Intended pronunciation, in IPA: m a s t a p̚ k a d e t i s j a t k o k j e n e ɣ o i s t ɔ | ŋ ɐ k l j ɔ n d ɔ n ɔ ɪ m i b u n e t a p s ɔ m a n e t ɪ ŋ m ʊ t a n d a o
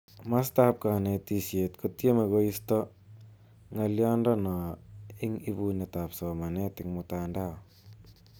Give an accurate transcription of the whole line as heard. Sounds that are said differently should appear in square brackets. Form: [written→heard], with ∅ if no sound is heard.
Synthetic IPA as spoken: m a s t a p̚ k a [d→n] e t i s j [a→e] t k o [k→t] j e [n→m] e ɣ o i s t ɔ | ŋ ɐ [k→∅] l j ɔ n d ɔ n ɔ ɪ [m→ŋ] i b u n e t a p s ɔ m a n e t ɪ ŋ m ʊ t a n d a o